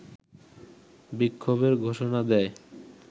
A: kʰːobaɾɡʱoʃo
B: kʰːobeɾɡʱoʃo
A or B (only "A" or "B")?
B